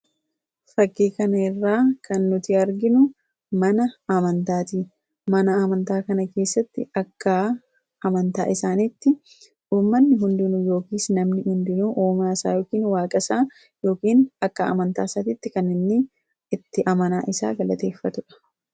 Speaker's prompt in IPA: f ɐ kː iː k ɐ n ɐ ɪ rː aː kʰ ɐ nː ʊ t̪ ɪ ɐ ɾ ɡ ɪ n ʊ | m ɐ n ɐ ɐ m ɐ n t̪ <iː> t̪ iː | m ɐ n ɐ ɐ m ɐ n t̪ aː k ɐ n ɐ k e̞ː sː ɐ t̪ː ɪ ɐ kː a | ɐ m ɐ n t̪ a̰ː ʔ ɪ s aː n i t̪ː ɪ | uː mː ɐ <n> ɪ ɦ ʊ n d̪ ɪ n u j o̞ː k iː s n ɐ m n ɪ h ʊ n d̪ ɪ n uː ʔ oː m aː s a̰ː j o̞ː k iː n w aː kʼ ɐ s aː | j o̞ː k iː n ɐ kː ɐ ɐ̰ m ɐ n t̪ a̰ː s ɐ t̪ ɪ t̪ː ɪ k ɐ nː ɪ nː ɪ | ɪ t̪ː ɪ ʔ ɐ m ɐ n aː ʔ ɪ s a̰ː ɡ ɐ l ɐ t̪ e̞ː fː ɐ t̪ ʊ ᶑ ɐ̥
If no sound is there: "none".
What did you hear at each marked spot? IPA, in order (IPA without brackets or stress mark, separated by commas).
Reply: aː, nː